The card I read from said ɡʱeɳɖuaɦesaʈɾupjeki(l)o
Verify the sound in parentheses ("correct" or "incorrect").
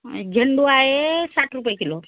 correct